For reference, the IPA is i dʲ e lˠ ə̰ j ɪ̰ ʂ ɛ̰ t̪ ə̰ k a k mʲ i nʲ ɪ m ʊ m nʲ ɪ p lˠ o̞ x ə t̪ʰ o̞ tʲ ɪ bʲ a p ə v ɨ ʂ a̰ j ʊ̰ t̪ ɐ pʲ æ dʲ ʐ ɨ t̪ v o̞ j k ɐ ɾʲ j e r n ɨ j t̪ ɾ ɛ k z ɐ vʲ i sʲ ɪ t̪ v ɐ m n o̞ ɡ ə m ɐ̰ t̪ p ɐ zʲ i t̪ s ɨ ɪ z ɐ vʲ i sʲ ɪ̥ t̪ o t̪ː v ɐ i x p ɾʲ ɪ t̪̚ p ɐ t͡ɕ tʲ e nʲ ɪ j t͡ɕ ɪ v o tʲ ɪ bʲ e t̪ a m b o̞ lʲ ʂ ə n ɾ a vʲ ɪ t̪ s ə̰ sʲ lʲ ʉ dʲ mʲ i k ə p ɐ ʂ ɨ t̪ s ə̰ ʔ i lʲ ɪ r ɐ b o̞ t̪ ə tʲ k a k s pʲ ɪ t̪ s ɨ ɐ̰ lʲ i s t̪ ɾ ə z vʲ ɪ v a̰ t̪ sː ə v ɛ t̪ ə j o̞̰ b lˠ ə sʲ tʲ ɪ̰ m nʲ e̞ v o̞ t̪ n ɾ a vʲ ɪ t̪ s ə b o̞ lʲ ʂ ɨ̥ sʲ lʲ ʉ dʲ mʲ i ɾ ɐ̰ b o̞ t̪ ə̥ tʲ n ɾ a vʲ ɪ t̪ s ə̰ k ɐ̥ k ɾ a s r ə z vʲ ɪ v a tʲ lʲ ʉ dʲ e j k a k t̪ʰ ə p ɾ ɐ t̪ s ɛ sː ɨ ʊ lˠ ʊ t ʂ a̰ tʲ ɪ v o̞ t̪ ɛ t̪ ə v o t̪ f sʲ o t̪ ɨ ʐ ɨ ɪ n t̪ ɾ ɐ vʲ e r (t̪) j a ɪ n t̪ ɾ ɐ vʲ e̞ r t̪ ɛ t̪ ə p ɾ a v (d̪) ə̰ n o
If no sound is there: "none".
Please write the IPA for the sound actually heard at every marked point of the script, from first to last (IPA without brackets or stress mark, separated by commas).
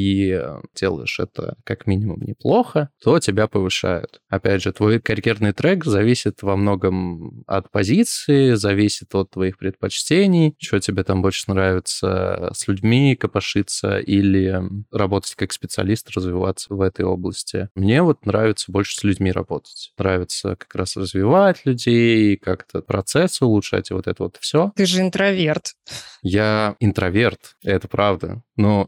t̪, d̪